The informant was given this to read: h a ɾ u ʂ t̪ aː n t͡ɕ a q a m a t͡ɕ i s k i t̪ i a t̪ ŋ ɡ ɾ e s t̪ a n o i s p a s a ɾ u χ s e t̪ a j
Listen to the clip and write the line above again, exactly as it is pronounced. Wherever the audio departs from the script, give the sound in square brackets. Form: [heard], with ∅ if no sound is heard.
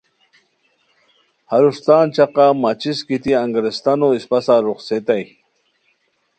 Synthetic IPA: h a ɾ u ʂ t̪ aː n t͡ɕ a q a m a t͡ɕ i s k i t̪ i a [∅] ŋ ɡ ɾ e s t̪ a n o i s p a s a ɾ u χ s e t̪ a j